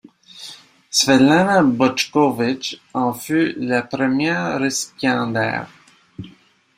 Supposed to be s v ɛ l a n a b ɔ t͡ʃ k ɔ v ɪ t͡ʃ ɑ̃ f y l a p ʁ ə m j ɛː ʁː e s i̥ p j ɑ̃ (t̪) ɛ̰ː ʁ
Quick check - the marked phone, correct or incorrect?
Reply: incorrect